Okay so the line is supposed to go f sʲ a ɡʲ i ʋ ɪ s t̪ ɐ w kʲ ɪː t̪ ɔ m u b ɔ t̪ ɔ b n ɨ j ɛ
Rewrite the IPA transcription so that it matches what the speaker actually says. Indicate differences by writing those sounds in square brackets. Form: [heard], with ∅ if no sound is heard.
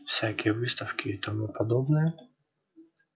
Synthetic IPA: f sʲ a [kʲ] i ʋ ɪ s t̪ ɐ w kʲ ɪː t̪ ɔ m u [p] ɔ [d̪] ɔ b n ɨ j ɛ

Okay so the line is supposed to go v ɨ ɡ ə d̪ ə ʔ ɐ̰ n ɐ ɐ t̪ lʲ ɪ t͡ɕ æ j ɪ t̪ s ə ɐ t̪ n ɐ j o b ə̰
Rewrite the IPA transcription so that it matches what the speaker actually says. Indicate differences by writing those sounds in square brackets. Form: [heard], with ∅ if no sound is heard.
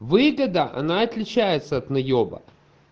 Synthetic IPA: v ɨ ɡ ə d̪ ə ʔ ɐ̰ n [a] ɐ t̪ lʲ ɪ t͡ɕ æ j ɪ t̪ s ə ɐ t̪ n ɐ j o b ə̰

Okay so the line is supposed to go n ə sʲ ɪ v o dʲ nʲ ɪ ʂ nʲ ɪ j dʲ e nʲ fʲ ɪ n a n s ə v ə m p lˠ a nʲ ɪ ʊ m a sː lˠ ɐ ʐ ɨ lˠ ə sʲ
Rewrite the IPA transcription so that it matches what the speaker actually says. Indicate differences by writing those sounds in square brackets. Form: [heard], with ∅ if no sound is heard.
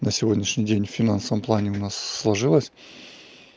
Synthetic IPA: n ə sʲ ɪ v o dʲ nʲ ɪ ʂ nʲ ɪ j dʲ e nʲ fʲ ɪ n a n s ə v ə m p lˠ a nʲ ɪ ʊ [n] a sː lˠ ɐ ʐ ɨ lˠ ə sʲ

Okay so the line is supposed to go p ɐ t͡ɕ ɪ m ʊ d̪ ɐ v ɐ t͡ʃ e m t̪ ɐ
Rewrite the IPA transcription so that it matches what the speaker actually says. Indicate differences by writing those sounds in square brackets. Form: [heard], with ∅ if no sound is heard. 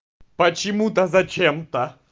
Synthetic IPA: p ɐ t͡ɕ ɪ m [u] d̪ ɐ [z] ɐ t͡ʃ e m t̪ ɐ

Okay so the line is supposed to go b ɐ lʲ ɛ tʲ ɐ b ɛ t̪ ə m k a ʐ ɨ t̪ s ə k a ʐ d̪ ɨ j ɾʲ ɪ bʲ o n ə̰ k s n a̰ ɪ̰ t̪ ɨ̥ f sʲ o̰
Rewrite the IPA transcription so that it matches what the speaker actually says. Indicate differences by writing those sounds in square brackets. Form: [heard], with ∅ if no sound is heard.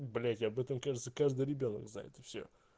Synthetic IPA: b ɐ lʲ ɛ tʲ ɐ b ɛ t̪ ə m k a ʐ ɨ t̪ s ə k a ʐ d̪ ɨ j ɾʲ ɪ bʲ o n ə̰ k [z] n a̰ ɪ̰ t̪ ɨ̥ f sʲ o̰

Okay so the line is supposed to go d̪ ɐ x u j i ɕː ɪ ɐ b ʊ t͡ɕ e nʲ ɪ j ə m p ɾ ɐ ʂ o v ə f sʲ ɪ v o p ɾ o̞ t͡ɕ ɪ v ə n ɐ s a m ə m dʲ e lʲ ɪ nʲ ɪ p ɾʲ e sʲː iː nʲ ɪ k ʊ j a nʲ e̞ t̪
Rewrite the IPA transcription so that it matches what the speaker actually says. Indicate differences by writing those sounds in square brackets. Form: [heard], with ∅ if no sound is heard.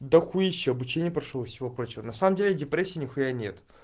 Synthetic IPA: d̪ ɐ x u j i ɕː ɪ ɐ b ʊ t͡ɕ e nʲ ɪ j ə [∅] p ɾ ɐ ʂ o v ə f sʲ ɪ v o p ɾ o̞ t͡ɕ ɪ v ə n ɐ s a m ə m dʲ e lʲ ɪ [dʲ] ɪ p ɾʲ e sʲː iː nʲ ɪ [x] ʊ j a nʲ e̞ t̪

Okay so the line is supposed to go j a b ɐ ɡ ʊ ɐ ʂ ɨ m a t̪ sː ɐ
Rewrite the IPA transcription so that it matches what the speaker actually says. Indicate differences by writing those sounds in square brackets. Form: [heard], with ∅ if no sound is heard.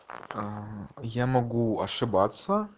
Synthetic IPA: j a [m] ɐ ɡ [u] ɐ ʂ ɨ [b] a t̪ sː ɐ

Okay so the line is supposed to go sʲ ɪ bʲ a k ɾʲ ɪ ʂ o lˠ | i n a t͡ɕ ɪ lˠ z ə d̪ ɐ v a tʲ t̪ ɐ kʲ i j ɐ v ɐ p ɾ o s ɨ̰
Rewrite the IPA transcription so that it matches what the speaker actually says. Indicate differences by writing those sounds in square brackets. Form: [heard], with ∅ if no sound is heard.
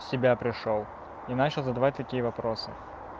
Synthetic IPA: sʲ ɪ bʲ a [p] ɾʲ ɪ ʂ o lˠ | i n a t͡ɕ ɪ lˠ z ə d̪ ɐ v a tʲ t̪ ɐ kʲ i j [ə] v ɐ p ɾ o s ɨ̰

